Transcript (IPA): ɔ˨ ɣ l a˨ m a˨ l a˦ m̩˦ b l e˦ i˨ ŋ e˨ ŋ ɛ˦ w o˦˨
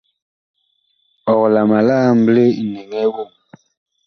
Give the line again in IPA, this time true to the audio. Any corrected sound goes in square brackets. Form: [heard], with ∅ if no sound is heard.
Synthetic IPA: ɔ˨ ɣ l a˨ m a˨ l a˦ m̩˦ b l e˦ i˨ [n] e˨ ŋ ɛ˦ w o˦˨

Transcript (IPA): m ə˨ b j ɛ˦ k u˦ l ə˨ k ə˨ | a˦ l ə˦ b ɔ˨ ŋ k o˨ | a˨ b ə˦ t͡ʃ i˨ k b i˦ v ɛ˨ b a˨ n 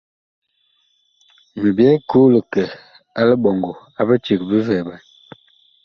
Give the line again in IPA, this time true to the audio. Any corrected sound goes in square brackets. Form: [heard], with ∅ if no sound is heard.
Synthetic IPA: m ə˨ b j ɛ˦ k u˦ l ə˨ k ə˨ | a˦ l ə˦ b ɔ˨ ŋ [ɡ] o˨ | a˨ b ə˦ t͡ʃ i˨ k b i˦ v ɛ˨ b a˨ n

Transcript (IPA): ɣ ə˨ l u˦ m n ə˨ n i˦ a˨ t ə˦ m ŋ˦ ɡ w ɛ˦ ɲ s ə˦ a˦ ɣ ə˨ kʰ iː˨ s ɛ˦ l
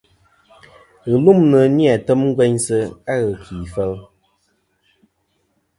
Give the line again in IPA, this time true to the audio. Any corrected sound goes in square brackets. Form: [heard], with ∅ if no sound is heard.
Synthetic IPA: ɣ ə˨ l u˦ m n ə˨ n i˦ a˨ t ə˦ m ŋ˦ ɡ w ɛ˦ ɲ s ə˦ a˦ ɣ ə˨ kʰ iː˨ [f] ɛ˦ l

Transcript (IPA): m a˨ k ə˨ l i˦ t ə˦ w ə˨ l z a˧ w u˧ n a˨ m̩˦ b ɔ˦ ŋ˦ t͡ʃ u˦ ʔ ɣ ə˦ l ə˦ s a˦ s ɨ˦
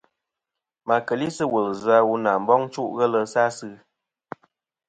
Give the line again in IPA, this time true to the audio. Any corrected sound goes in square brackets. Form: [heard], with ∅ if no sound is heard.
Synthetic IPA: m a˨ k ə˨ l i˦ [s] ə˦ w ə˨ l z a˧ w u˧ n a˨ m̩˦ b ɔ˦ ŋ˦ t͡ʃ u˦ ʔ ɣ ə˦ l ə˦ s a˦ s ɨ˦

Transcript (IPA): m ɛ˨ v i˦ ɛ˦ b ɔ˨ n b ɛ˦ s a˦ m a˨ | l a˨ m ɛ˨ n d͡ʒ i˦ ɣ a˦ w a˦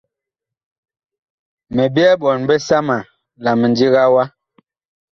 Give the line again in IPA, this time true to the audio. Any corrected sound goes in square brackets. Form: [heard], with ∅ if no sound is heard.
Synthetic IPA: m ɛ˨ [b] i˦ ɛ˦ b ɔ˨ n b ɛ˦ s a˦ m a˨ | l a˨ m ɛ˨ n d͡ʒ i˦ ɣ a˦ w a˦

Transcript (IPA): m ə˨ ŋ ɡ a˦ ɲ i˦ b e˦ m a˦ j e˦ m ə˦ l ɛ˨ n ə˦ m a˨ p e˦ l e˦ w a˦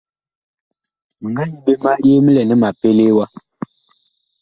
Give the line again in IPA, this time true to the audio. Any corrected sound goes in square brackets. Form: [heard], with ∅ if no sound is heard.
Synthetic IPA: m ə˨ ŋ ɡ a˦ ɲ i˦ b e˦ m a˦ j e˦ m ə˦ l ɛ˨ n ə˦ m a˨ p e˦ l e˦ w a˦

